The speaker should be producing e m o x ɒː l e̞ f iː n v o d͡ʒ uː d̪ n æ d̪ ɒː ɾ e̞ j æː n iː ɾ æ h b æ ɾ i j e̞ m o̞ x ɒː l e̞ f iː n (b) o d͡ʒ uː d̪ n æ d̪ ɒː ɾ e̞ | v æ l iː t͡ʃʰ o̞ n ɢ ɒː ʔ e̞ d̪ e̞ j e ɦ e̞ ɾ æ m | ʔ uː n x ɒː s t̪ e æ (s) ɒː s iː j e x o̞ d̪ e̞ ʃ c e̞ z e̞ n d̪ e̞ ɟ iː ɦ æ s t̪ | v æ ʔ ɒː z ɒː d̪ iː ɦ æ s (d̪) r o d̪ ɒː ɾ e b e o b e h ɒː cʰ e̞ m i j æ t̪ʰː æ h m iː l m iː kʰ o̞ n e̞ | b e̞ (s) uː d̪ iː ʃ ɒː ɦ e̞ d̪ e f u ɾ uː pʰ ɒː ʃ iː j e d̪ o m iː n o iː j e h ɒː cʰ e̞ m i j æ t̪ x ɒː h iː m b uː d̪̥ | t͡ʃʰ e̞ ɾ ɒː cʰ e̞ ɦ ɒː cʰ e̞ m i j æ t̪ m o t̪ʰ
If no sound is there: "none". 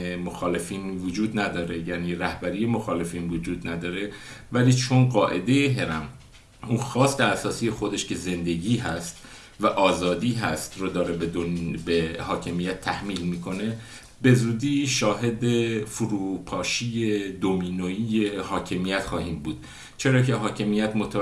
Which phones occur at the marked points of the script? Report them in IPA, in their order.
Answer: v, s, t̪, z

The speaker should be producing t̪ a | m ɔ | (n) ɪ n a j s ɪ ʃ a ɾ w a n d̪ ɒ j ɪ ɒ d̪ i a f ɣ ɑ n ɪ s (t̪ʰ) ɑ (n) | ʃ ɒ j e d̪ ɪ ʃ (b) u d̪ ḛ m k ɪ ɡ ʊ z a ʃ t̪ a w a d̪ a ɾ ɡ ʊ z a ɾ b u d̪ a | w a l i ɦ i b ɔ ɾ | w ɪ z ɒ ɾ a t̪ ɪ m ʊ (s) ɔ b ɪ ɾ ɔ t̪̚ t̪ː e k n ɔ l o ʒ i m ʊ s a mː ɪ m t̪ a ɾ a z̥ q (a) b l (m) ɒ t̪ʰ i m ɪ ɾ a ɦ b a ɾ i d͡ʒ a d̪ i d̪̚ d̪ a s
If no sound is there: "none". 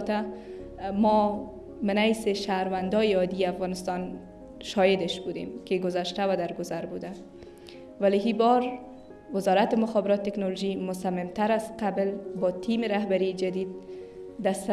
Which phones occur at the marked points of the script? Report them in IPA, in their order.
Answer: m, t̪, n, b, x, a, b

